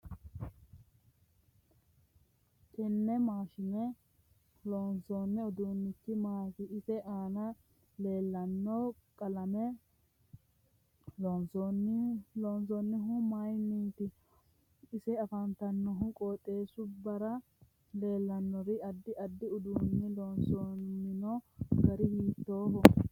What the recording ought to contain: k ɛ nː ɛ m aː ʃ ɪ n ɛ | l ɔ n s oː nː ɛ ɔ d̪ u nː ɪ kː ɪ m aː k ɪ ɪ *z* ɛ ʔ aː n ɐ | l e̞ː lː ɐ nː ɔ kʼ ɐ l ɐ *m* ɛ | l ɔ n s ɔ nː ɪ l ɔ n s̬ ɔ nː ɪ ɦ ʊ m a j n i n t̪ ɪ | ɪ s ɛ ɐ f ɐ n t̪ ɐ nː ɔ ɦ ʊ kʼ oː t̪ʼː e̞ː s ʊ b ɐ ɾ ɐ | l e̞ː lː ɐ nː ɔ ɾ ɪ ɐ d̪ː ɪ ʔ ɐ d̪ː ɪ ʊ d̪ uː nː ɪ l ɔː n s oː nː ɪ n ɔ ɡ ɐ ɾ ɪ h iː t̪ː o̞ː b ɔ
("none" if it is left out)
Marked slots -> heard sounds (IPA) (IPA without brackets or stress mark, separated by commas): s, m